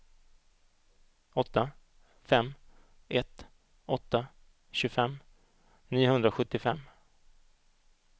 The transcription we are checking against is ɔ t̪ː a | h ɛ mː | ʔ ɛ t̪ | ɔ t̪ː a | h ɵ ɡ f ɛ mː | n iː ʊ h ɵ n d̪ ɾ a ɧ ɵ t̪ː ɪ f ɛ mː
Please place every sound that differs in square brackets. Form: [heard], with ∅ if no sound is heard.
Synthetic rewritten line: ɔ t̪ː a | [f] ɛ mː | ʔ ɛ t̪ | ɔ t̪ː a | [ɕ] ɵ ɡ f ɛ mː | n iː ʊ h ɵ n d̪ ɾ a ɧ ɵ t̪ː ɪ f ɛ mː